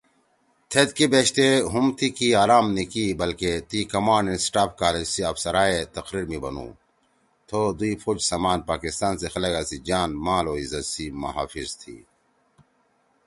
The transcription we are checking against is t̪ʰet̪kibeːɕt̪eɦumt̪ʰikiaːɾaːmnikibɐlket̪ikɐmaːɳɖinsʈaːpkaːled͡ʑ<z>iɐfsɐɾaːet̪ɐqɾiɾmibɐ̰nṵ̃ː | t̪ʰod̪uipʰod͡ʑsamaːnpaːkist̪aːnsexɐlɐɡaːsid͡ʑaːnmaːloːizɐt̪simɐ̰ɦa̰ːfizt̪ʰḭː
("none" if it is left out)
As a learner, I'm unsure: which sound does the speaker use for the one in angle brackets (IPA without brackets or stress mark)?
s